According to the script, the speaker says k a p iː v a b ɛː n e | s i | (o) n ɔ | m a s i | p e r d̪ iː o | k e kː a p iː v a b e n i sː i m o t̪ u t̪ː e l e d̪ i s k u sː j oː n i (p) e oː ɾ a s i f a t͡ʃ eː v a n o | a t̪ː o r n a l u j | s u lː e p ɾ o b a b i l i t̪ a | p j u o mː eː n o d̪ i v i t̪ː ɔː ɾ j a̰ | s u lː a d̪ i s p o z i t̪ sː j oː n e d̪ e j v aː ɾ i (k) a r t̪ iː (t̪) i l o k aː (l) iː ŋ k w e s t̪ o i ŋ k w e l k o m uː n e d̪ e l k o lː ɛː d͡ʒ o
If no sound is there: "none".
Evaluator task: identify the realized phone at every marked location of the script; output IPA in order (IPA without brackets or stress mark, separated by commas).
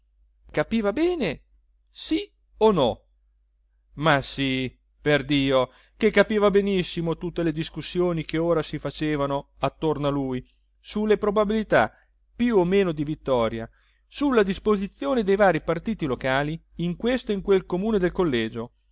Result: o, k, p, t̪, l